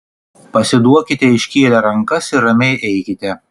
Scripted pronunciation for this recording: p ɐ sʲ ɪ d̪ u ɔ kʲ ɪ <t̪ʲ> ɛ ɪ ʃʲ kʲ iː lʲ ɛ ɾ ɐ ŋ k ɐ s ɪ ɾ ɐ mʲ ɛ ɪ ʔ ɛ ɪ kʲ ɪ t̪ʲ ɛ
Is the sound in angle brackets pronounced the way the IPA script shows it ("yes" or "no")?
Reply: yes